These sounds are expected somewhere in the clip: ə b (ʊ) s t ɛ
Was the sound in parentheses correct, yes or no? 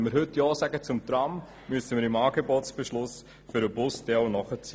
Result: yes